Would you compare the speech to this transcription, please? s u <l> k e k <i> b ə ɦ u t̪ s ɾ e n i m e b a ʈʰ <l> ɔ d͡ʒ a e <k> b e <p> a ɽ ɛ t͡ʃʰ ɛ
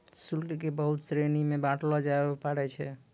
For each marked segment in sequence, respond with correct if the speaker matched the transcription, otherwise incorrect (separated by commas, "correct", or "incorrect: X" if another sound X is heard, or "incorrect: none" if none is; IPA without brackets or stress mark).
correct, incorrect: e, correct, incorrect: none, correct